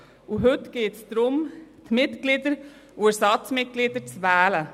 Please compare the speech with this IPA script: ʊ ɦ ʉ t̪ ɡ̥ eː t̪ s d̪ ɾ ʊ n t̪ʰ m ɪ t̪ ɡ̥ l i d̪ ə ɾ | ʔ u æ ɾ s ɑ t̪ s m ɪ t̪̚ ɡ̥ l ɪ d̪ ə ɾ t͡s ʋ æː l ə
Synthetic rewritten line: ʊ ɦ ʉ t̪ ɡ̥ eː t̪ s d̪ ɾ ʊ m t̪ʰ m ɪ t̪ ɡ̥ l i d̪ ə ɾ | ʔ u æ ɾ s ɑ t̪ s m ɪ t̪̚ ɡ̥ l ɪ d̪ ə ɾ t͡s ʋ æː l ə